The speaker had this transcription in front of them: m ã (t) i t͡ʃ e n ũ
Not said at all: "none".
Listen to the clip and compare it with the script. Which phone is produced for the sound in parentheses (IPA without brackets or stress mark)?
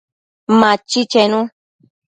t͡ʃ